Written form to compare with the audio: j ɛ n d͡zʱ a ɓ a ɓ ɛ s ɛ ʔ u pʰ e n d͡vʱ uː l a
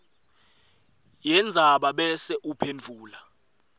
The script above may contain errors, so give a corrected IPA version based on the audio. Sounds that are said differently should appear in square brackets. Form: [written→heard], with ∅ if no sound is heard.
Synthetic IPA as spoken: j ɛ n d͡zʱ a ɓ a ɓ ɛ s ɛ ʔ u pʰ e n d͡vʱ uː l a